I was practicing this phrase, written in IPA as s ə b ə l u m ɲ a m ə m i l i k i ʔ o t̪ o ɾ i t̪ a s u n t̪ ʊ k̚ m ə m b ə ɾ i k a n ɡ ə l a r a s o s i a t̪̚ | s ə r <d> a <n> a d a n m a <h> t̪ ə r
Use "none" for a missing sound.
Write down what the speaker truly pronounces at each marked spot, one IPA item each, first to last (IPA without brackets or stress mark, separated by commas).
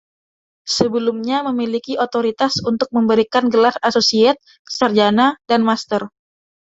d͡ʒ, n, s